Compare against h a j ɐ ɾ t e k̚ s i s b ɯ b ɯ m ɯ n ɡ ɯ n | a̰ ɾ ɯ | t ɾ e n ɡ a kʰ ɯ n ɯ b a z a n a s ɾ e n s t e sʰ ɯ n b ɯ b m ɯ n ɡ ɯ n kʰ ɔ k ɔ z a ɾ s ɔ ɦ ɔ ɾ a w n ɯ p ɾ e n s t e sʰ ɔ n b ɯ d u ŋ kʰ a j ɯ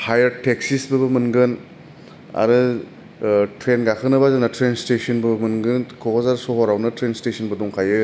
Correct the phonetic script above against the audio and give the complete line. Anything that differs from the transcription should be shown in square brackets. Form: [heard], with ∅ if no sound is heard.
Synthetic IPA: h a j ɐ ɾ t e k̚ s i s b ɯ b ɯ m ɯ n ɡ ɯ n | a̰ ɾ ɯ | t ɾ e n ɡ a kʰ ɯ n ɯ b a z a n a [t] ɾ e n s t e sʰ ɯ n b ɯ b m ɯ n ɡ ɯ n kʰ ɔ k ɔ z a ɾ s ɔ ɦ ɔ ɾ a w n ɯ [t] ɾ e n s t e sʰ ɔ n b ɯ d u ŋ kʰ a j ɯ